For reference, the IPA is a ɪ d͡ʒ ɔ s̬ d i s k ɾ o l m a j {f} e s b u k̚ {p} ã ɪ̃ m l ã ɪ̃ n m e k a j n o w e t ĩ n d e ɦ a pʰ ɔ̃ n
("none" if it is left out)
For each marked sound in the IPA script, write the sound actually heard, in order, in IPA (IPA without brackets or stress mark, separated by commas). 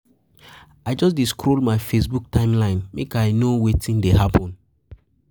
f, t